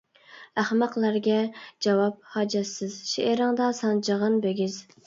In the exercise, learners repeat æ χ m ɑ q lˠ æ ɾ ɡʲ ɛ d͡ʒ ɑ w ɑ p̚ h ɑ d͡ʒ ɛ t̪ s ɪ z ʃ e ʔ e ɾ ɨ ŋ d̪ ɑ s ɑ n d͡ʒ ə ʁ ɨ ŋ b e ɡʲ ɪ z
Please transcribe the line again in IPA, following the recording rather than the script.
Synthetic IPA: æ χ m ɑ q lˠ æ ɾ ɡʲ ɛ d͡ʒ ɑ w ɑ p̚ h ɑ d͡ʒ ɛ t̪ s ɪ z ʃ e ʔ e ɾ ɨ ŋ d̪ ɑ s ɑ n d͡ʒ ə ʁ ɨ n b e ɡʲ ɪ z